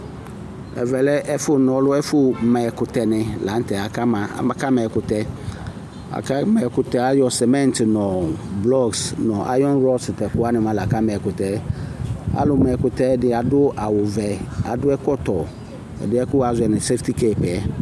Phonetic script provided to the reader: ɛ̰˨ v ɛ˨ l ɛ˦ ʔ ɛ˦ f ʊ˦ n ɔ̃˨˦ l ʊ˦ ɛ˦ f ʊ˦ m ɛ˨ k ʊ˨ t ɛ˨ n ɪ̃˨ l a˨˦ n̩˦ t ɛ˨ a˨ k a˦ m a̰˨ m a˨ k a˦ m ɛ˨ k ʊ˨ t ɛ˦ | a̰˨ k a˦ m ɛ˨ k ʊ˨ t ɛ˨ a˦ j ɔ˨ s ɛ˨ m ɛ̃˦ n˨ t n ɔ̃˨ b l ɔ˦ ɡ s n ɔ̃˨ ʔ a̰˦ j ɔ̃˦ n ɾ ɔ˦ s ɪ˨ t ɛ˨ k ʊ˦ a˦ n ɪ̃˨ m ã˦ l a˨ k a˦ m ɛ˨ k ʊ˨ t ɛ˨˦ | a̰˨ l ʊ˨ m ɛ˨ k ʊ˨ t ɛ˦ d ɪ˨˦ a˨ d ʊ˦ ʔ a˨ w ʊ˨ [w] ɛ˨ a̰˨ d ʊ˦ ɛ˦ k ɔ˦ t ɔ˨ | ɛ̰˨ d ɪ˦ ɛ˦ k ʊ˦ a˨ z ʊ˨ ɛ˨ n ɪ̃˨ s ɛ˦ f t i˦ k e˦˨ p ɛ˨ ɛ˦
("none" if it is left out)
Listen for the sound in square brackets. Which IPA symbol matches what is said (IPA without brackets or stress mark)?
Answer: v